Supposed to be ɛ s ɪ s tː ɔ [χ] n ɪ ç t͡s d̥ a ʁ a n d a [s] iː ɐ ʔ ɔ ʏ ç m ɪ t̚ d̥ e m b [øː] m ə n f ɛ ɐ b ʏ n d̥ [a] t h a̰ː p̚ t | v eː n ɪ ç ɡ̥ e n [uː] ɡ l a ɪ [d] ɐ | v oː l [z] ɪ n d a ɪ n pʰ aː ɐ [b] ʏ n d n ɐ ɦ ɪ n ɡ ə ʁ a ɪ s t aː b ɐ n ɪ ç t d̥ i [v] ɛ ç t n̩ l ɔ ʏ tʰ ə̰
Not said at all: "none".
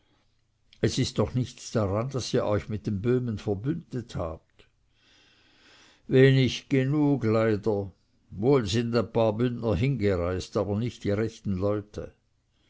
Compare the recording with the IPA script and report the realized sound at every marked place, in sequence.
χ, s, øː, ə, uː, d, z, b, ʁ

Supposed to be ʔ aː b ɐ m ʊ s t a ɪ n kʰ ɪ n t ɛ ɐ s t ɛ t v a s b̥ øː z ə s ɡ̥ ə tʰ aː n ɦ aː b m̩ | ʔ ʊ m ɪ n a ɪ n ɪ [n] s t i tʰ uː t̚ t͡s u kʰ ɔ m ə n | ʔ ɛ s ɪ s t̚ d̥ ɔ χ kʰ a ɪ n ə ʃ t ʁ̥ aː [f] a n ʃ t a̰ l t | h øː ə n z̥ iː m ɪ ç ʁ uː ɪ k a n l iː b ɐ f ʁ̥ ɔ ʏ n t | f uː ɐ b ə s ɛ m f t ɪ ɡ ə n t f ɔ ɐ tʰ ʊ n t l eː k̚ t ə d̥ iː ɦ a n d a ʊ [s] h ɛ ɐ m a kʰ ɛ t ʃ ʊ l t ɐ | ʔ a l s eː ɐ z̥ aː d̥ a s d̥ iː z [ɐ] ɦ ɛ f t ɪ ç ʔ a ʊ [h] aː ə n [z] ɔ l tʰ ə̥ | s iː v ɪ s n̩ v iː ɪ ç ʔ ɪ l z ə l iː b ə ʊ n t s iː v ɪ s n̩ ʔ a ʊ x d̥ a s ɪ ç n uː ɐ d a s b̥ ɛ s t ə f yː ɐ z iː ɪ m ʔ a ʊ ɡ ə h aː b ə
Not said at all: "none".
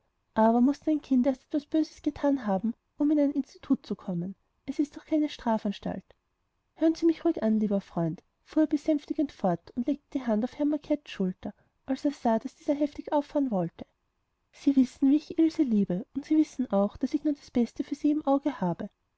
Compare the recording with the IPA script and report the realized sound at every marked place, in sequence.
n, f, f, ɐ, f, v

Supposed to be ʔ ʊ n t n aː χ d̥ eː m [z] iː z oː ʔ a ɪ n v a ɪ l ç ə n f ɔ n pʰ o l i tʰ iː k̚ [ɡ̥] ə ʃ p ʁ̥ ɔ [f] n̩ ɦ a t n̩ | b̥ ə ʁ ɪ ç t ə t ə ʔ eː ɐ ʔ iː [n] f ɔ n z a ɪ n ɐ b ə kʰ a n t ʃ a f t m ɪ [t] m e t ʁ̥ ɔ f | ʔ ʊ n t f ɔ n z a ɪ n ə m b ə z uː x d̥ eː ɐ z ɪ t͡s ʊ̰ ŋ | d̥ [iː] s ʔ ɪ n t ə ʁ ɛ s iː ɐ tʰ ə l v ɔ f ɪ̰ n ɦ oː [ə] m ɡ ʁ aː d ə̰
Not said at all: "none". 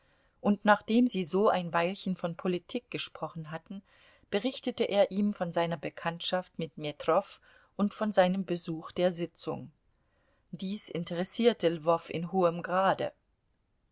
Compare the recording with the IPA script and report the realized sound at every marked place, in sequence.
z, ɡ̥, χ, m, t, iː, ə

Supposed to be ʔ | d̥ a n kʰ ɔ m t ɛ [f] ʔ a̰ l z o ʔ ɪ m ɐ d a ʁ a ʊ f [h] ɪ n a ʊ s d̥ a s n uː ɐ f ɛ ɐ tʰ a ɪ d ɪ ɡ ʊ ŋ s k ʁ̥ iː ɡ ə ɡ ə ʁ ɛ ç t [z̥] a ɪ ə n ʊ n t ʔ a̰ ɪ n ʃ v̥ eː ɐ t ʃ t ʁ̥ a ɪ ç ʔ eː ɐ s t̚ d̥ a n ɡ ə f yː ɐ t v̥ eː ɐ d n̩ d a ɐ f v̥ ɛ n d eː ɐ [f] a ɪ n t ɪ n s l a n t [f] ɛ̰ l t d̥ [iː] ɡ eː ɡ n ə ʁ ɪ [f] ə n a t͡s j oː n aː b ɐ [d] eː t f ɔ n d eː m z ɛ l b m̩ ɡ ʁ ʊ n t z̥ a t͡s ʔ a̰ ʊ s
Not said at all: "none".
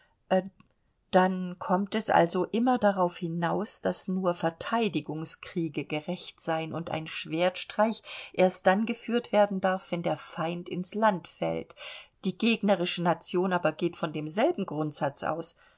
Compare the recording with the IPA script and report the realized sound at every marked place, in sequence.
s, h, z̥, f, f, iː, ʃ, ɡ

